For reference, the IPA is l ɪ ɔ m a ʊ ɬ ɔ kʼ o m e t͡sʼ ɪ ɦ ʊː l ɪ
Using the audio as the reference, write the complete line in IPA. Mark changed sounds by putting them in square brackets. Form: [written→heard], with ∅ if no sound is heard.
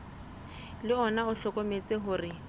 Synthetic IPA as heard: l ɪ ɔ [m→n] a ʊ ɬ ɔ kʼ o m e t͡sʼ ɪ ɦ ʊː [l→r] ɪ

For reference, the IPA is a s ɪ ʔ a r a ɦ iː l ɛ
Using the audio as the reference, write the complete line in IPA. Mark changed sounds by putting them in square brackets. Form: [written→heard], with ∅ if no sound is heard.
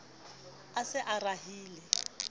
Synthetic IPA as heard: a s ɪ ʔ a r a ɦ iː l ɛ

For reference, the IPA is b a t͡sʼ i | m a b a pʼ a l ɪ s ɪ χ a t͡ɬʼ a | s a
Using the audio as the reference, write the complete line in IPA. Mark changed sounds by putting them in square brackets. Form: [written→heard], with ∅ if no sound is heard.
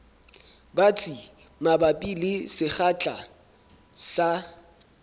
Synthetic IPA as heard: b a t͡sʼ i | m a b a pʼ [a→i] l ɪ s ɪ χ a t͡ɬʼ a | s a

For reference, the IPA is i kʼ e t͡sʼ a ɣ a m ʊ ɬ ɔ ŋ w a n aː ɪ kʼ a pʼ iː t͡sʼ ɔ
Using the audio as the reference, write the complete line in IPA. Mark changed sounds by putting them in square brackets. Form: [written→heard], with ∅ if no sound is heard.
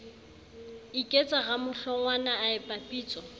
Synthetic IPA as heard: i kʼ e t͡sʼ a ɣ a m ʊ ɬ ɔ ŋ w a n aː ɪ [kʼ→pʼ] a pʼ iː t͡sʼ ɔ

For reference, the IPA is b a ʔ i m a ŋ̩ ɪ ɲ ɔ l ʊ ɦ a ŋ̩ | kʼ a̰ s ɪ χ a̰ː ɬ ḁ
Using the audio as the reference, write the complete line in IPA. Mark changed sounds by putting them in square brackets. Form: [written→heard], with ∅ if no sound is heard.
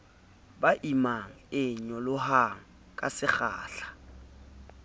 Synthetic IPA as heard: b a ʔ i m a ŋ̩ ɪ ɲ ɔ l ʊ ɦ a ŋ̩ | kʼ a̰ s ɪ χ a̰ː ɬ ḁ

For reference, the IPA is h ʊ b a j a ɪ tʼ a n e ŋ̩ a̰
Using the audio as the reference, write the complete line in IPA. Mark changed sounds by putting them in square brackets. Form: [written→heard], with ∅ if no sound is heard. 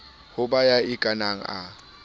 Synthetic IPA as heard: h ʊ b a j a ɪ [tʼ→kʼ] a n [e→a] ŋ̩ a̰

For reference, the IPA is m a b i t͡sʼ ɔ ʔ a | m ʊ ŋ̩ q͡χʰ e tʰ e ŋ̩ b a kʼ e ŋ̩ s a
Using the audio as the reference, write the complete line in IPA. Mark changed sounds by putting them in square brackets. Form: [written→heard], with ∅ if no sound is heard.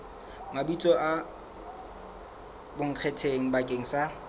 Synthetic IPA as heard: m a b i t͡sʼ ɔ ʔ a | [m→b] ʊ ŋ̩ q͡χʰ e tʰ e ŋ̩ b a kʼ e ŋ̩ s a

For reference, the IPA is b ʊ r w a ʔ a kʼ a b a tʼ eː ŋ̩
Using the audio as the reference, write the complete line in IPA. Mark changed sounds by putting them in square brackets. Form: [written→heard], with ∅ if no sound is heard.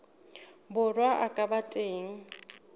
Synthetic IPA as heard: b ʊ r w a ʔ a kʼ a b a tʼ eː ŋ̩

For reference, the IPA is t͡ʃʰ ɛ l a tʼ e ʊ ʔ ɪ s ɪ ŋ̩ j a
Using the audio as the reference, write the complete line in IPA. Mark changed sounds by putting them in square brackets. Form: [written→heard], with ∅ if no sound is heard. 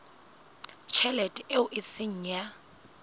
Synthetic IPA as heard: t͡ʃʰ ɛ l [a→ɛ] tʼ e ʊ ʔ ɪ s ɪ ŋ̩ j a

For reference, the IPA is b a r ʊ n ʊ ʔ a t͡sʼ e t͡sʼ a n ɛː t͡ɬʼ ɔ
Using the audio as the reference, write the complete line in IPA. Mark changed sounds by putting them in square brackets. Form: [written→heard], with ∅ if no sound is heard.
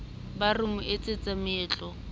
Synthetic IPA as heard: b a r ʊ [n→m] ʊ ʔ [a→e] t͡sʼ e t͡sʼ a [n→m] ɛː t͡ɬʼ ɔ

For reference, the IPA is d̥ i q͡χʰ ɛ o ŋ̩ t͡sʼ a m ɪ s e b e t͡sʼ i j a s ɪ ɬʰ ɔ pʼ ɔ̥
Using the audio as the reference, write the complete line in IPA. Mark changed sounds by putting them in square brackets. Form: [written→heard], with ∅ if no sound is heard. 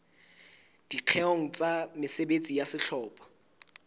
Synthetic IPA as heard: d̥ i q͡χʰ ɛ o ŋ̩ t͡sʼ a m ɪ s e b e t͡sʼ i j a s ɪ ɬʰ [ɔ→ɔː] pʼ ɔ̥

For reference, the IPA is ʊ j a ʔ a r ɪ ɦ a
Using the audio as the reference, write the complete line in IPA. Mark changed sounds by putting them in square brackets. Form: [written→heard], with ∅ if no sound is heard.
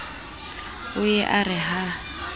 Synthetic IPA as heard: ʊ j [a→ɛ] ʔ a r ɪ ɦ a

